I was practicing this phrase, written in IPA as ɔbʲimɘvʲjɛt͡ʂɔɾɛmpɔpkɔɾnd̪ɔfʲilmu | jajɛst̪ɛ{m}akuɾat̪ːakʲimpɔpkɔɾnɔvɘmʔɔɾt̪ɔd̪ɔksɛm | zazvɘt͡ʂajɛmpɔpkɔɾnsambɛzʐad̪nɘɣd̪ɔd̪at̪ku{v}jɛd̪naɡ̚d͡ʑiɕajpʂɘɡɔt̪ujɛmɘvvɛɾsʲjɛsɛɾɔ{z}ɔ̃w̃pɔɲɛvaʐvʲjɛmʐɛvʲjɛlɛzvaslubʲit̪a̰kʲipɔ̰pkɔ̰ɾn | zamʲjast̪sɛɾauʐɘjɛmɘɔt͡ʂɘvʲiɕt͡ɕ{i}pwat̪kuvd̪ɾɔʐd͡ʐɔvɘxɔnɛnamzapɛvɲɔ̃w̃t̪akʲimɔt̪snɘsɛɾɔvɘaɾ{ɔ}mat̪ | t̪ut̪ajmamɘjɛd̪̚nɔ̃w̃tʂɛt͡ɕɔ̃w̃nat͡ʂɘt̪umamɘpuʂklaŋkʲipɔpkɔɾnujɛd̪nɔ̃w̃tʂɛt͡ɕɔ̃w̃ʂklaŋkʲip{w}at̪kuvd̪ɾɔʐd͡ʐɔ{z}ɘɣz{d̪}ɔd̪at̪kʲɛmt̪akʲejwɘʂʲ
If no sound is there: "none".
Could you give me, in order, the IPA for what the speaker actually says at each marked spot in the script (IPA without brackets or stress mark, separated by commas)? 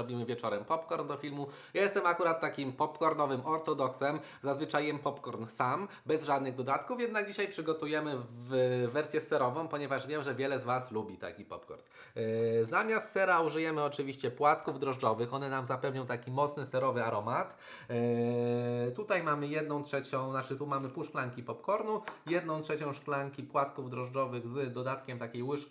m, f, v, ɛ, ɔ, w, v, d̪